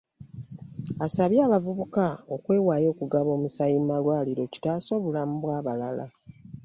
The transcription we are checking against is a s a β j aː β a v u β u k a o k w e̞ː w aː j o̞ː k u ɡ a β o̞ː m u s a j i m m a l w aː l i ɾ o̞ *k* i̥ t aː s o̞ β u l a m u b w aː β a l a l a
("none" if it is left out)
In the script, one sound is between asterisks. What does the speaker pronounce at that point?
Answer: c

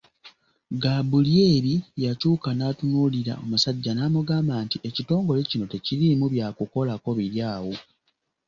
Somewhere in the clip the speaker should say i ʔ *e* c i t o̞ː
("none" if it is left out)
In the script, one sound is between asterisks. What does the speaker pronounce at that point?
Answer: e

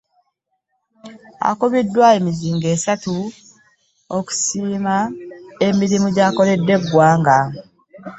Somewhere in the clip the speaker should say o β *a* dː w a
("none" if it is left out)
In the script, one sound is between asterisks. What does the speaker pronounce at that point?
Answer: i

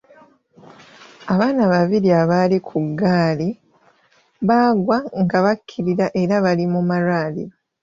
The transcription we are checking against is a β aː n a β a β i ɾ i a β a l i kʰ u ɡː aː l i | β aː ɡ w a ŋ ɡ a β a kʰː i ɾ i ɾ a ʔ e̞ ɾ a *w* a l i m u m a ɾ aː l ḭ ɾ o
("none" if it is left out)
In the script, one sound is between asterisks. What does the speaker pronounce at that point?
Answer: β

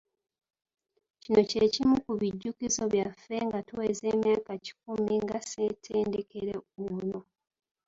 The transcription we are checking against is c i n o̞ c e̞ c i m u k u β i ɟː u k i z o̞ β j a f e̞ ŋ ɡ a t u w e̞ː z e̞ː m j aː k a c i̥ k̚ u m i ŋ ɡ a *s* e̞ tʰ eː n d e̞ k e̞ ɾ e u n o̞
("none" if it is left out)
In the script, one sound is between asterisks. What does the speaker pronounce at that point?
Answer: s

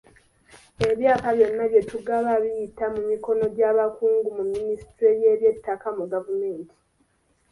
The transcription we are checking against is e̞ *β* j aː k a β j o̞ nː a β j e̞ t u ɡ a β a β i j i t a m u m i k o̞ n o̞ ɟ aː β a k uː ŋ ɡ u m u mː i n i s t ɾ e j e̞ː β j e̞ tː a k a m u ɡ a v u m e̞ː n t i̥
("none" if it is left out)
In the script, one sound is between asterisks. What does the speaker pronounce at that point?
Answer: β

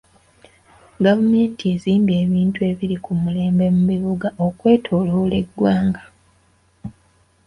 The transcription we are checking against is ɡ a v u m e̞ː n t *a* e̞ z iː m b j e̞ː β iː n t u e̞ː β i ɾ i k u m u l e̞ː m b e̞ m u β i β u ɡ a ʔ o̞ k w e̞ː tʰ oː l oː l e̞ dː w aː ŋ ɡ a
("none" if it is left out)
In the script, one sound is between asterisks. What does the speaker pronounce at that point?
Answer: i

